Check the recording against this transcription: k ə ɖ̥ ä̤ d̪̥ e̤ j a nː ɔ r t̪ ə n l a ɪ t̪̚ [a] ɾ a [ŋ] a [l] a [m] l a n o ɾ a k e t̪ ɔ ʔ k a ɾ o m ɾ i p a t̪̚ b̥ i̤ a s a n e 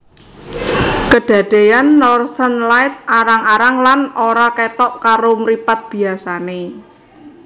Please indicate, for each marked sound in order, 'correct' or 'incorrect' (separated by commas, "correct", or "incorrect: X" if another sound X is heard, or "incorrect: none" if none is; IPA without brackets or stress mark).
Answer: correct, correct, incorrect: ɾ, incorrect: ŋ